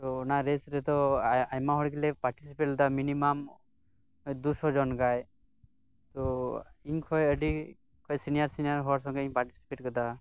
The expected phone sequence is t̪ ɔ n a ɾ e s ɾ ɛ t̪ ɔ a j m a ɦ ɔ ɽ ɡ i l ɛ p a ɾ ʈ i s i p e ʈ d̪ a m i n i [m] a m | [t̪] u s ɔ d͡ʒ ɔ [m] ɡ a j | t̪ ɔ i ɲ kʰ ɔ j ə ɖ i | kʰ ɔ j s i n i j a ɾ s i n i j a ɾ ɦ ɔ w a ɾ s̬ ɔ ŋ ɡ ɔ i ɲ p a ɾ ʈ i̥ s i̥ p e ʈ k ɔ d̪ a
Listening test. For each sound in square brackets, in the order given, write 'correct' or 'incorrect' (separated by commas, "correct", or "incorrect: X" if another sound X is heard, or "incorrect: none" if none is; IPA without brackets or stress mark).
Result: correct, incorrect: d̪, incorrect: n